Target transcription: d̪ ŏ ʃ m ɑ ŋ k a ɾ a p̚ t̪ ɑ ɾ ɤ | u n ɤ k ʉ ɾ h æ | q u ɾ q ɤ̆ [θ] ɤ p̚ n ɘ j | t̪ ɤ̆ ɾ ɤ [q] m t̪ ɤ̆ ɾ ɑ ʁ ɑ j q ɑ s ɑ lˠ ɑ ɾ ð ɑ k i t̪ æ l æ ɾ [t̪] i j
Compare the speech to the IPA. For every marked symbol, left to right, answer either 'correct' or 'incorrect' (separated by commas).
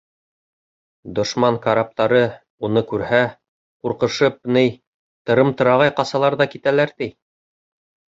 incorrect, incorrect, correct